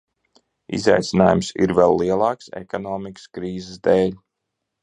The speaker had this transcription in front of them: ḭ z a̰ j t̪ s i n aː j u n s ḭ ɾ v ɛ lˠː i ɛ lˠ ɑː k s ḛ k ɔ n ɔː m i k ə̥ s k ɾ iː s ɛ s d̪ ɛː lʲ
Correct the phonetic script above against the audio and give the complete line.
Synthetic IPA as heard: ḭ z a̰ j t̪ s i n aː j u m s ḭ ɾ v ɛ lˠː i ɛ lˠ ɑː k s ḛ k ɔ n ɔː m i k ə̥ s k ɾ iː z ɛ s d̪ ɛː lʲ